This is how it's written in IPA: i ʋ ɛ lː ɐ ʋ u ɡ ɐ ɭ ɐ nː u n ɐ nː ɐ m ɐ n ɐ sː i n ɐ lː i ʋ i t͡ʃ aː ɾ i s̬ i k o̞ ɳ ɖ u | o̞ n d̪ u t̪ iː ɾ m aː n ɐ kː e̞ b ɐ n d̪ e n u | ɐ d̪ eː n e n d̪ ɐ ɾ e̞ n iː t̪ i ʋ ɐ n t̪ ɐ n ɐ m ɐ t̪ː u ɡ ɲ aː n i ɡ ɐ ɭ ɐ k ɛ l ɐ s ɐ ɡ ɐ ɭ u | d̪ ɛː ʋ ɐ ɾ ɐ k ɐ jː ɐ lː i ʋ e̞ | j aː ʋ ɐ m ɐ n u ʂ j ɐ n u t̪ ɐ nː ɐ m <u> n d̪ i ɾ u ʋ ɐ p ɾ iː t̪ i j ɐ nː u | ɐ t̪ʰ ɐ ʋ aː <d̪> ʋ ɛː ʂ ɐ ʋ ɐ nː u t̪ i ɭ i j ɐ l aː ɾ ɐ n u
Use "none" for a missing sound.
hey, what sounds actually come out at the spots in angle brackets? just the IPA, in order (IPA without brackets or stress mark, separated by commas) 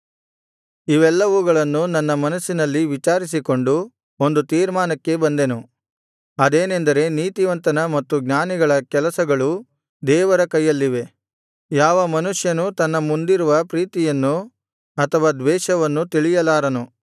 u, d̪